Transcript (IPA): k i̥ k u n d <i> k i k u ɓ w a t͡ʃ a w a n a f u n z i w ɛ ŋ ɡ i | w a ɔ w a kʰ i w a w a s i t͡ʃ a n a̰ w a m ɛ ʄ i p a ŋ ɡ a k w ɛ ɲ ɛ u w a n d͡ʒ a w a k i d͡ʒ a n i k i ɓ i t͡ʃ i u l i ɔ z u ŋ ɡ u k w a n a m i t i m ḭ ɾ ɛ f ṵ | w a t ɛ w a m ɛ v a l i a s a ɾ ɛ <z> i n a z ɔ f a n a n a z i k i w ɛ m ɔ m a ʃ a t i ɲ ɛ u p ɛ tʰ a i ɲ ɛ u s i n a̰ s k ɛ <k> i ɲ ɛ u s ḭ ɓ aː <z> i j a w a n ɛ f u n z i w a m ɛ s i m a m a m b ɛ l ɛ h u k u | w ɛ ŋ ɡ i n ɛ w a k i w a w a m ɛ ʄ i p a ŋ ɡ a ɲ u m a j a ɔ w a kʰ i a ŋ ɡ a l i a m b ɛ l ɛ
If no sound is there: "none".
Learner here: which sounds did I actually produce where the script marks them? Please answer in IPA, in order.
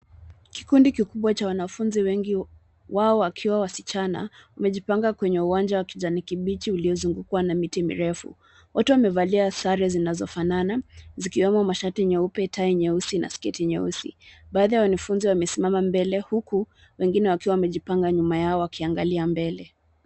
i, z, t, ð

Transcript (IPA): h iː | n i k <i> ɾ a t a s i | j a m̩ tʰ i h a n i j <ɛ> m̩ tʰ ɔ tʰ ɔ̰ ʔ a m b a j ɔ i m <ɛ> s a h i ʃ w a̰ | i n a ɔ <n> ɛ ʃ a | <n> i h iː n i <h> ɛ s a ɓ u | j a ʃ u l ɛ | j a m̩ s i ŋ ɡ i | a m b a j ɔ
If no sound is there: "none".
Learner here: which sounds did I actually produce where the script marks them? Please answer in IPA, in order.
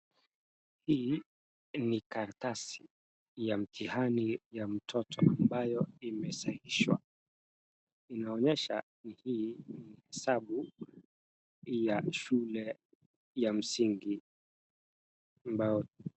a, a, ɛ, ɲ, n, h

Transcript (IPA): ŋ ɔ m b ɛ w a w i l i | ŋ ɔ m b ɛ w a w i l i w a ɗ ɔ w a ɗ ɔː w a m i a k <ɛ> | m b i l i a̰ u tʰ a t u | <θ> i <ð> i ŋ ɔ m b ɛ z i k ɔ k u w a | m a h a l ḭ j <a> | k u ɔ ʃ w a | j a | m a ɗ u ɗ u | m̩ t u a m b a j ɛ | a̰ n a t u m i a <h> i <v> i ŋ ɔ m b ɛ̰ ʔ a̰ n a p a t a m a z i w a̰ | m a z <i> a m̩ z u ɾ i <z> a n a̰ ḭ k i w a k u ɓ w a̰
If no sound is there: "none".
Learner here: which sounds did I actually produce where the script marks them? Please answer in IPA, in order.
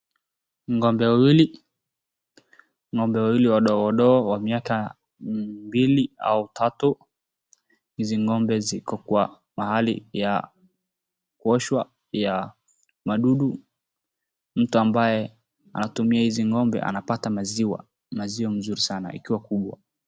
a, h, z, a, h, z, i, s

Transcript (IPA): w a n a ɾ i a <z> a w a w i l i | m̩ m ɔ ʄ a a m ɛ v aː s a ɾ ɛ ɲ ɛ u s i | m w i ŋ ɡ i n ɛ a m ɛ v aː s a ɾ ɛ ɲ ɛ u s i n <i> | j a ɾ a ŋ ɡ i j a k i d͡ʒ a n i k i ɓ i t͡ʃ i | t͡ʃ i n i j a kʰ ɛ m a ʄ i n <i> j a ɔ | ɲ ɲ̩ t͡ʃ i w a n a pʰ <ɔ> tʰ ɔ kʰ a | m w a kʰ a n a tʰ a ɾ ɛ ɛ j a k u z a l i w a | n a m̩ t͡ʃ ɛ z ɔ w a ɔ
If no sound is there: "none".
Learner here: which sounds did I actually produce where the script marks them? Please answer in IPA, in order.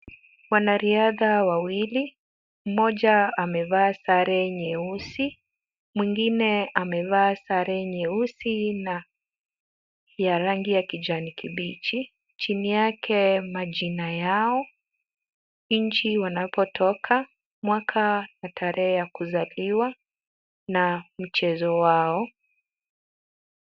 ð, a, a, ɔ

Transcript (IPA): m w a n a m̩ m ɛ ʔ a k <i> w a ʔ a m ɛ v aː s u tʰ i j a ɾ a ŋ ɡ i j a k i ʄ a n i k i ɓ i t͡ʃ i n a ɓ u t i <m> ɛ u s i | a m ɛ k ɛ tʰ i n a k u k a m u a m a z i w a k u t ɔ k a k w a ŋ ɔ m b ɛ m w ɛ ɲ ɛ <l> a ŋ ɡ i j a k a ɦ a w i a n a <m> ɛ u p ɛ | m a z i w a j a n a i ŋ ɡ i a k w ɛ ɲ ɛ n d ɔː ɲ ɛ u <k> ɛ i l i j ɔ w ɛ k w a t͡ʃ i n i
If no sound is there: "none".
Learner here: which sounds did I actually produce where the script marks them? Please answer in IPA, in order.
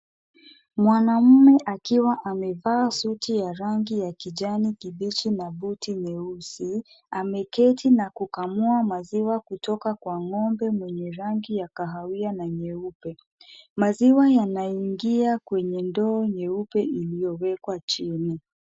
i, ɲ, ɾ, ɲ, p

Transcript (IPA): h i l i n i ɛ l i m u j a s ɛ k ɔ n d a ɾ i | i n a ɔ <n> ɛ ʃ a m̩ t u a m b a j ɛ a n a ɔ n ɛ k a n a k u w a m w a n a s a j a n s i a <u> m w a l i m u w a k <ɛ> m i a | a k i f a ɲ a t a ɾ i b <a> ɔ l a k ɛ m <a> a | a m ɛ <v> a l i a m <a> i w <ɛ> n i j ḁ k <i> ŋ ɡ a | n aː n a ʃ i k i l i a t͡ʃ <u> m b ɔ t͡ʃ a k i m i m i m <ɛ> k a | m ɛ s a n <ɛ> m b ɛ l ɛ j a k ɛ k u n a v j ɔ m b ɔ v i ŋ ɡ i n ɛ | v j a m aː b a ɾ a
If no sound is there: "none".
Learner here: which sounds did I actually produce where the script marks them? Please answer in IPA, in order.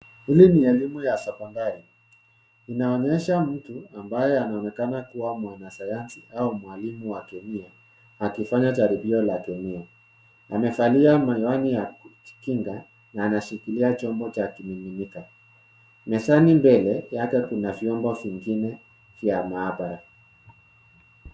ɲ, u, ɛ, i, i, f, a, a, i, ɔ, i, i

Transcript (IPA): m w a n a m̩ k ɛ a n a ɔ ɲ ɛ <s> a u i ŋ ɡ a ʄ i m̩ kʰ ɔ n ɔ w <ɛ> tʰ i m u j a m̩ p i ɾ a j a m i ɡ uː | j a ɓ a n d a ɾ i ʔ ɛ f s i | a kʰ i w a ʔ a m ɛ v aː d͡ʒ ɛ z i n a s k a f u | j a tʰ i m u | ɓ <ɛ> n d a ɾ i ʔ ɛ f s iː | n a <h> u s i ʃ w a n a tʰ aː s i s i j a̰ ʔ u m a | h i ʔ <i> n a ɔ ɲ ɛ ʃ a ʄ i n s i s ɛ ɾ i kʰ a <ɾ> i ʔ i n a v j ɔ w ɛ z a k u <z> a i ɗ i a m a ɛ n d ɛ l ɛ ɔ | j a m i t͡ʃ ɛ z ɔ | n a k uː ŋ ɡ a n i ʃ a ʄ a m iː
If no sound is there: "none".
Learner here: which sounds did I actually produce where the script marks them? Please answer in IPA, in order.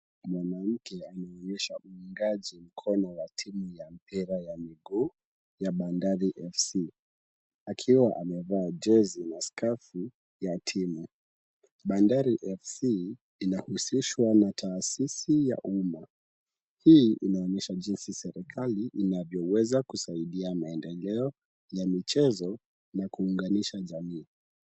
ʃ, a, a, h, i, l, s

